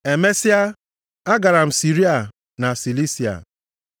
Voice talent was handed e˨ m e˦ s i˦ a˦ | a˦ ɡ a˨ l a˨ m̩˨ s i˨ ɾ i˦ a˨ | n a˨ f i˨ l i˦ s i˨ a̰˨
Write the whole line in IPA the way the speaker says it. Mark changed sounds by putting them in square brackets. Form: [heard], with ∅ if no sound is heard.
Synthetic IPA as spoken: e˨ m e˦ s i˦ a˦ | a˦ ɡ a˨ [ɾ] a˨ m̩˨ s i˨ ɾ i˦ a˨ | n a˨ [s] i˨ l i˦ s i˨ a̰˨